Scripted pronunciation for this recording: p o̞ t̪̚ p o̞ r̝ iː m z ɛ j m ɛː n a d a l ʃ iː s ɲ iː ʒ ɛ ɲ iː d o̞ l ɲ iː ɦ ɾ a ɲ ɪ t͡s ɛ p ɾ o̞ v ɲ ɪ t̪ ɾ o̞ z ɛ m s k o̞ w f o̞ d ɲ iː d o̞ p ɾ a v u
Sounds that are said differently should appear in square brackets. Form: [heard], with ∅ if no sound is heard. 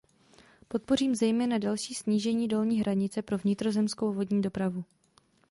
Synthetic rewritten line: p o̞ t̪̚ p o̞ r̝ iː m z ɛ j m ɛː n a d a l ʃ iː s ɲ iː ʒ ɛ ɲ iː d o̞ l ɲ iː ɦ ɾ a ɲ ɪ t͡s ɛ p ɾ o̞ v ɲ ɪ t̪ ɾ o̞ z ɛ m s k o̞ w [v] o̞ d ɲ iː d o̞ p ɾ a v u